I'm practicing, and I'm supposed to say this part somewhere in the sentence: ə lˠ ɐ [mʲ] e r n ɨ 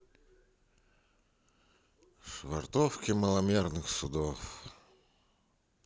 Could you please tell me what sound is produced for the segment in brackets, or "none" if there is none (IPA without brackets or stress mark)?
mʲ